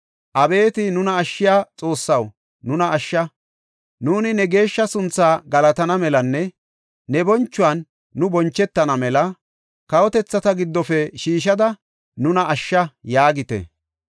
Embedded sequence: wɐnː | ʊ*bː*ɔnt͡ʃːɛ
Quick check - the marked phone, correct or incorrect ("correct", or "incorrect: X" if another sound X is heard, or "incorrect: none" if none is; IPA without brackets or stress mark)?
incorrect: b